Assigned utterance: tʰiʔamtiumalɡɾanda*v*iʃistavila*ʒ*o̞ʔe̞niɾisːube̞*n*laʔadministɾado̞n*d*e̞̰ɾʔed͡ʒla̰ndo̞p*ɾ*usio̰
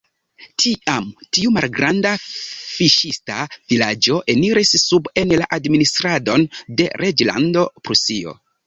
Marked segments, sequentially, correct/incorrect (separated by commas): incorrect, incorrect, correct, correct, correct